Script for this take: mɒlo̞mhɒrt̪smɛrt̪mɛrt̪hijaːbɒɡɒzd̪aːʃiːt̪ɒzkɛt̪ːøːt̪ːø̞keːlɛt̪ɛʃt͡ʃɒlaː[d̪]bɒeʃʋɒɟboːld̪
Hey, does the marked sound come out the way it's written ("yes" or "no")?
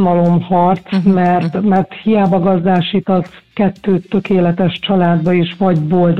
yes